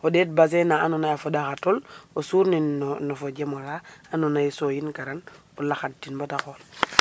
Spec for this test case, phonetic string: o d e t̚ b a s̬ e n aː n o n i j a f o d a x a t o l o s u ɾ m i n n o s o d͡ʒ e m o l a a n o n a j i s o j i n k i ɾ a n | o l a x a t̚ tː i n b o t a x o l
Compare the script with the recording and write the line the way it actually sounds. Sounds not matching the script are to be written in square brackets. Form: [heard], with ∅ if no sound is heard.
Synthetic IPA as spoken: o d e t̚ b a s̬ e n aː n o n [a] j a f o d a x a t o l o s u ɾ [n] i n n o [f] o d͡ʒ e m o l a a n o n a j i s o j i n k [a] ɾ a n | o l a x a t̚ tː i n b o t a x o l